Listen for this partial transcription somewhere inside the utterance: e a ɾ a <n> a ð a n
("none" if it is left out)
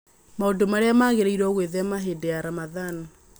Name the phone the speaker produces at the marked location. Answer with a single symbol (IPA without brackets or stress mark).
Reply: m